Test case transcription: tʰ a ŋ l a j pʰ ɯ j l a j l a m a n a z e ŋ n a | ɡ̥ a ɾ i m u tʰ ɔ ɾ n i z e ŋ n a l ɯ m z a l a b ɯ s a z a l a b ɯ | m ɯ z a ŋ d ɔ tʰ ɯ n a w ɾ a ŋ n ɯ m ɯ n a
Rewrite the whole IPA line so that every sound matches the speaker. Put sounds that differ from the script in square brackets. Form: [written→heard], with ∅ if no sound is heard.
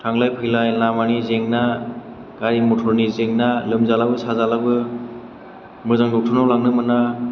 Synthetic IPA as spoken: tʰ a ŋ l a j pʰ ɯ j l a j l a m a n [a→i] z e ŋ n a | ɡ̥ a ɾ i m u tʰ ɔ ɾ n i z e ŋ n a l ɯ m z a l a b ɯ s a z a l a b ɯ | m ɯ z a ŋ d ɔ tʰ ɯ n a w [ɾ→l] a ŋ n ɯ m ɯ n a

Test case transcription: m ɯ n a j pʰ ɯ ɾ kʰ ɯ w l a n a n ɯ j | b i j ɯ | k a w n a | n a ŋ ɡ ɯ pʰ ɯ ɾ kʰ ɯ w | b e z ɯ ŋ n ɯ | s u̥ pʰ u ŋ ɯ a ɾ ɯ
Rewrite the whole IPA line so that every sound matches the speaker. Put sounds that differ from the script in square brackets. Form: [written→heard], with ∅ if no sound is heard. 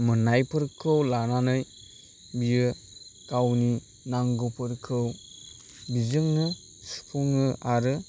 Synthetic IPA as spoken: m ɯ n a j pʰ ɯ ɾ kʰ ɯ w l a n a n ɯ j | b i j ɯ | k a w n [a→i] | n a ŋ ɡ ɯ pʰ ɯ ɾ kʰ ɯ w | b [e→i] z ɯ ŋ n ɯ | s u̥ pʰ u ŋ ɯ a ɾ ɯ

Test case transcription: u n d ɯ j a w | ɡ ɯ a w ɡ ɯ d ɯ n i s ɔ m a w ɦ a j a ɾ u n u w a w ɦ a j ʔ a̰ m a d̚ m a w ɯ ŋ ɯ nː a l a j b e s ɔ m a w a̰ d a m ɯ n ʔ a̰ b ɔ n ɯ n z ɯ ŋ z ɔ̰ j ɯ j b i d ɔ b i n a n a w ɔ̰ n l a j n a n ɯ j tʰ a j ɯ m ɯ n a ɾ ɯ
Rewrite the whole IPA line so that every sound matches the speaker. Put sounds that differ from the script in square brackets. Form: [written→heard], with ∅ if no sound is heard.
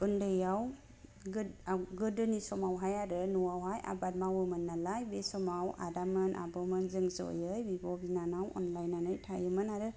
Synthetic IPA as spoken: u n d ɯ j a w | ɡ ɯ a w ɡ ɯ d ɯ n i s ɔ m a w ɦ a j a ɾ [u→ɯ] n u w a w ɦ a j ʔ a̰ [m→b] a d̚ m a w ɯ [ŋ→m] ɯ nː a l a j b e s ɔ m a w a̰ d a m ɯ n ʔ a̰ b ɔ [n→m] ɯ n z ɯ ŋ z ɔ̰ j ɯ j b i [d→b] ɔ b i n a n a w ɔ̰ n l a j n a n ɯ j tʰ a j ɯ m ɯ n a ɾ ɯ

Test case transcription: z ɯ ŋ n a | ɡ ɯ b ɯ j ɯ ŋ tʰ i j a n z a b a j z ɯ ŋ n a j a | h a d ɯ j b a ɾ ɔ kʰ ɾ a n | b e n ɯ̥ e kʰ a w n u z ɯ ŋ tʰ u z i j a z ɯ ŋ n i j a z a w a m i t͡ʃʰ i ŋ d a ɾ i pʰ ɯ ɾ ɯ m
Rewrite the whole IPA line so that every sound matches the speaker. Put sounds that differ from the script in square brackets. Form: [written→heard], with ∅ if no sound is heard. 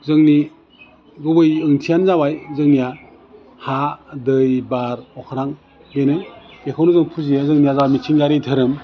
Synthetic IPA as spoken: z ɯ ŋ n [a→i] | ɡ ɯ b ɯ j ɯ ŋ tʰ i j a n z a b a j z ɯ ŋ n [a→i] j a | h a d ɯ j b a ɾ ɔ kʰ ɾ a [n→ŋ] | b e n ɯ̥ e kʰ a w n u z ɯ ŋ [tʰ→pʰ] u z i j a z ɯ ŋ n i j a z a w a m i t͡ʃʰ i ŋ [d→ɡ] a ɾ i [pʰ→tʰ] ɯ ɾ ɯ m

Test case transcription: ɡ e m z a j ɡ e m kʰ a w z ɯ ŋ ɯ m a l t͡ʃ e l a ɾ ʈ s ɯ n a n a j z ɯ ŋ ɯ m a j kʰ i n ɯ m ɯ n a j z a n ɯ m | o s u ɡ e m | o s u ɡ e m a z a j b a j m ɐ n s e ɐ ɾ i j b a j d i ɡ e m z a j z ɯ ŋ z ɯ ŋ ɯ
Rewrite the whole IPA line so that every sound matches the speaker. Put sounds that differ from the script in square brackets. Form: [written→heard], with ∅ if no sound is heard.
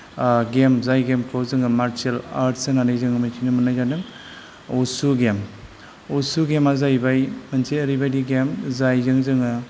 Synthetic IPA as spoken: ɡ e m z a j ɡ e m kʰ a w z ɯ ŋ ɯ m a [l→ɾ] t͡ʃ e l a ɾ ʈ s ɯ n a n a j z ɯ ŋ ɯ m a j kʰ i n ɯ m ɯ n a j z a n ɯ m | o s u ɡ e m | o s u ɡ e m a z a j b a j m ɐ n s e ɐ ɾ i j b a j d i ɡ e m z a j z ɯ ŋ z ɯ ŋ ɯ

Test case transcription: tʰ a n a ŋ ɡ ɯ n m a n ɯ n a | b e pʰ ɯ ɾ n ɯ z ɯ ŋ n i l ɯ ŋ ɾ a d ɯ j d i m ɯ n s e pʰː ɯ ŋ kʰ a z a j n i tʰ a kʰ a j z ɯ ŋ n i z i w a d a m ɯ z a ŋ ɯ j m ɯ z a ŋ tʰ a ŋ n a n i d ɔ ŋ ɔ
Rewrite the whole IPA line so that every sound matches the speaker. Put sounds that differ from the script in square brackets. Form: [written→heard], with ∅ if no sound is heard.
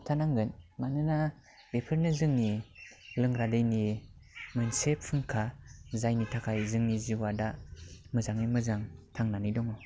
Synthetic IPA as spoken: tʰ a n a ŋ ɡ ɯ n m a n ɯ n a | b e pʰ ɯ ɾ n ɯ z ɯ ŋ n i l ɯ ŋ ɾ a d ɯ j [d→n] i m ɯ n s e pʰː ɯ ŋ kʰ a z a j n i tʰ a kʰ a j z ɯ ŋ n i z i w a d a m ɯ z a ŋ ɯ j m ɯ z a ŋ tʰ a ŋ n a n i d ɔ ŋ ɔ

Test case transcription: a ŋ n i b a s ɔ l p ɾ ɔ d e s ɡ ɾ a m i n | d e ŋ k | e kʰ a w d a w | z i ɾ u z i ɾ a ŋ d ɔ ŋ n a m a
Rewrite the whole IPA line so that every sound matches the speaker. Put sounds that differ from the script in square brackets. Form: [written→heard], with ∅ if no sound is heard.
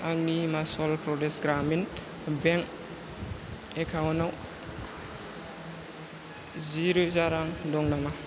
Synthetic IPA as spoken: a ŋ n i [b→m] a s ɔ l p ɾ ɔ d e s ɡ ɾ a m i n | [d→b] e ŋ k | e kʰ a w [d→n] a w | z i ɾ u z [i→a] ɾ a ŋ d ɔ ŋ n a m a

